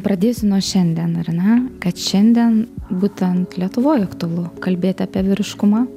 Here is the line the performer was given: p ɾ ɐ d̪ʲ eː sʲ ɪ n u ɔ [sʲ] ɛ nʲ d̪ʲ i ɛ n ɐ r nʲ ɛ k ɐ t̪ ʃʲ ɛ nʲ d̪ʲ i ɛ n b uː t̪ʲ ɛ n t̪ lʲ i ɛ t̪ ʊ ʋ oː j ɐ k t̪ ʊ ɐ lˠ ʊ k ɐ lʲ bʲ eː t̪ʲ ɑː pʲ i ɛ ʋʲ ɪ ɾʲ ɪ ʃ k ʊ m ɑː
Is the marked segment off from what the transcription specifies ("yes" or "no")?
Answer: yes